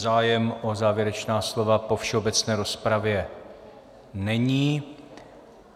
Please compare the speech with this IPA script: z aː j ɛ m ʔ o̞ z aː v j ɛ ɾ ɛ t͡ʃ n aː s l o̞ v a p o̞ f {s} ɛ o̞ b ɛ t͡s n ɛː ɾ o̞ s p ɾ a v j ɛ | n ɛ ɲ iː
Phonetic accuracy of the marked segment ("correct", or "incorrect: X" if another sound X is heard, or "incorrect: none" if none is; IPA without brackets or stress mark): incorrect: ʃ